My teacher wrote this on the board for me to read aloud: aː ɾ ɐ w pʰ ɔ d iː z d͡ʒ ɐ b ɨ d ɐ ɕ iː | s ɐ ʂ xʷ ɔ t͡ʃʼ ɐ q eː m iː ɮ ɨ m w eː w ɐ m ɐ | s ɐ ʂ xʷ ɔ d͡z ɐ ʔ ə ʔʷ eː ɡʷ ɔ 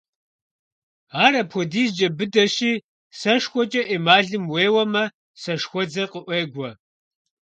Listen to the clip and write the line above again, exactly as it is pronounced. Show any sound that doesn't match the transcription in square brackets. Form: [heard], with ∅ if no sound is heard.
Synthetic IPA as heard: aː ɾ ɐ [∅] pʰ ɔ d iː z d͡ʒ ɐ b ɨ d ɐ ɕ iː | s ɐ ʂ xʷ ɔ t͡ʃʼ ɐ [ʔ] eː m [aː] ɮ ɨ m w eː w ɐ m ɐ | s ɐ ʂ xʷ ɔ d͡z ɐ [q] ə ʔʷ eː ɡʷ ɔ